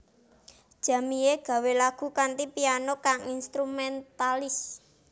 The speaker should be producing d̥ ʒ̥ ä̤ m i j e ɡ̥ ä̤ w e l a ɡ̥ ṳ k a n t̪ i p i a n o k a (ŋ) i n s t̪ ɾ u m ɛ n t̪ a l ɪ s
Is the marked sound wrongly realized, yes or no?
no